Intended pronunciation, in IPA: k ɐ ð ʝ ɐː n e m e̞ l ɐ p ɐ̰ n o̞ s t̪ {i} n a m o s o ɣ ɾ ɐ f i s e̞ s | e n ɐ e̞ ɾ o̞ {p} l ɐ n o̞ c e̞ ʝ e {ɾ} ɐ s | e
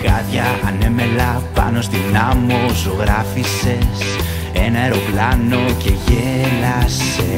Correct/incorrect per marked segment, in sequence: correct, correct, incorrect: l

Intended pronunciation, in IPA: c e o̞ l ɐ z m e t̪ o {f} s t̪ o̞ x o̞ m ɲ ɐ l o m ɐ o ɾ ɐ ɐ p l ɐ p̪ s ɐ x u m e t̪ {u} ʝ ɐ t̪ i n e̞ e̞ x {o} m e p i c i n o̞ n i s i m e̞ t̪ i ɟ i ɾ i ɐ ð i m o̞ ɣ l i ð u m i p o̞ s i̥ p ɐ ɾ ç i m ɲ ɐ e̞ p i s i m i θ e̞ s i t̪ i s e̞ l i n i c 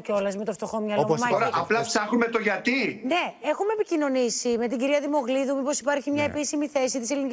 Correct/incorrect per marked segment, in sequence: correct, incorrect: o, incorrect: u

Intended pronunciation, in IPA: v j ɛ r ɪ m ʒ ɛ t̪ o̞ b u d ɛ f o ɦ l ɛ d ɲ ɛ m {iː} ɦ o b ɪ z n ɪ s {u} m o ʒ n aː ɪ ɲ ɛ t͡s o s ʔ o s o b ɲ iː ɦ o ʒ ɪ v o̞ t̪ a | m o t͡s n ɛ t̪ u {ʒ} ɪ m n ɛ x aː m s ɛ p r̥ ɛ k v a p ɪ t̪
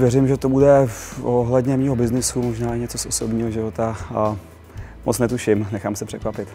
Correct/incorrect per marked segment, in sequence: correct, correct, incorrect: ʃ

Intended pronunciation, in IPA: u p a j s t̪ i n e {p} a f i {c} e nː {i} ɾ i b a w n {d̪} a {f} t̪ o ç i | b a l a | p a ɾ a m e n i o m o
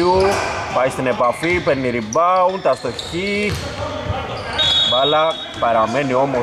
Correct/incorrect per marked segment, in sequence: correct, incorrect: p, correct, incorrect: t̪, incorrect: s

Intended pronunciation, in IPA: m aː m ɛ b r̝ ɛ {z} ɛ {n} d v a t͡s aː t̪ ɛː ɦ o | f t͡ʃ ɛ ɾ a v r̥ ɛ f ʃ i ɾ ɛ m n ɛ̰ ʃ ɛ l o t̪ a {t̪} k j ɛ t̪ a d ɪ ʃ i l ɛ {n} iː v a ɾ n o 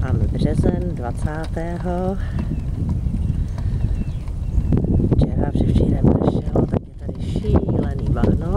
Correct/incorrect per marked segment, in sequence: correct, correct, incorrect: none, correct

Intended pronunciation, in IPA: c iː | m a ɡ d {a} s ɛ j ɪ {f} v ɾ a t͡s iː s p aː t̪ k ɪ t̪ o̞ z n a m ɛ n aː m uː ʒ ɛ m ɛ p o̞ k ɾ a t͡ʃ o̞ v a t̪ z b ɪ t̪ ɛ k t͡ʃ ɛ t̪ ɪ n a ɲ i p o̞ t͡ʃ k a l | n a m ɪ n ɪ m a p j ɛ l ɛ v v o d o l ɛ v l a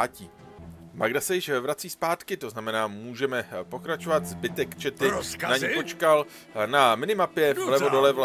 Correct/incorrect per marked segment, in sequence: correct, incorrect: ʃ

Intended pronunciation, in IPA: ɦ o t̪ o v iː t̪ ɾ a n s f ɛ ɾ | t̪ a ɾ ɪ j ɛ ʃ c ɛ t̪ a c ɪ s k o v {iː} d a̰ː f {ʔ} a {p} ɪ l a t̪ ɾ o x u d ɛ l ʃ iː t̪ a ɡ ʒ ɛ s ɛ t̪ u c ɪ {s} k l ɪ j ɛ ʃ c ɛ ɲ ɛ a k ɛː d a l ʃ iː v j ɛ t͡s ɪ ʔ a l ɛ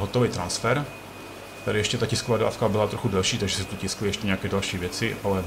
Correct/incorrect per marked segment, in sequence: incorrect: aː, incorrect: k, incorrect: b, correct

